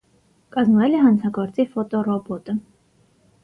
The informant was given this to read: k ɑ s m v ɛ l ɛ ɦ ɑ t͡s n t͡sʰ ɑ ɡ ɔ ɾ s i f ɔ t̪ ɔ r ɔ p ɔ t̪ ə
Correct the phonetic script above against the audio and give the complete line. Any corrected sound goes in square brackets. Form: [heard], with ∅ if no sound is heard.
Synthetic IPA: k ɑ [z] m v ɛ l ɛ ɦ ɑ [∅] n t͡sʰ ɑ ɡ ɔ ɾ [t͡s] i f ɔ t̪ ɔ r ɔ [b] ɔ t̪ ə